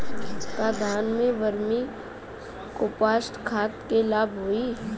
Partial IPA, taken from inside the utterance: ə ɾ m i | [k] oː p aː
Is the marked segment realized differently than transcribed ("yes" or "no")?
no